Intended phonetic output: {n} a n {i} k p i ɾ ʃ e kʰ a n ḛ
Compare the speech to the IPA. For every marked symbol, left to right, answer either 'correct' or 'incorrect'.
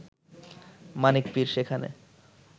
incorrect: m, correct

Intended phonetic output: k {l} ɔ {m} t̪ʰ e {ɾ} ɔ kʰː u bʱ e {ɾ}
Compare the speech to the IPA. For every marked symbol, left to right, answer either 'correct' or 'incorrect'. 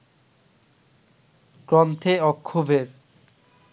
incorrect: ɾ, correct, incorrect: none, correct

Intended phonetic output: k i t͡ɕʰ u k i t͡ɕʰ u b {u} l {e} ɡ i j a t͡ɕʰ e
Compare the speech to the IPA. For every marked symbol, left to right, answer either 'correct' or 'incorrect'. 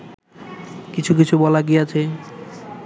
incorrect: ɔ, incorrect: a

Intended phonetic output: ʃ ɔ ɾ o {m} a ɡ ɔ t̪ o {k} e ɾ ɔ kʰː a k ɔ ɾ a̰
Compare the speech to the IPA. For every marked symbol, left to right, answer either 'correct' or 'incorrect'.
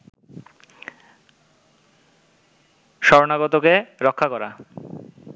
incorrect: n, correct

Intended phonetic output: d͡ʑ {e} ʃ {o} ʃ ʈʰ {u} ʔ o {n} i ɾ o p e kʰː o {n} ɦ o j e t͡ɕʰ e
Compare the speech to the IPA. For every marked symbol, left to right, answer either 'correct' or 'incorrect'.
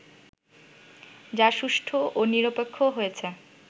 incorrect: a, incorrect: u, incorrect: o, correct, incorrect: none

